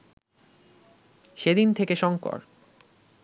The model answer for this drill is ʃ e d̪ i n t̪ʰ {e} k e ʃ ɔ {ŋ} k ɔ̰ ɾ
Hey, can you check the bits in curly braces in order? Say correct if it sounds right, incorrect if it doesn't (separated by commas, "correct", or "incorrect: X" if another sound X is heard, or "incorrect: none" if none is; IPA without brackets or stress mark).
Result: correct, correct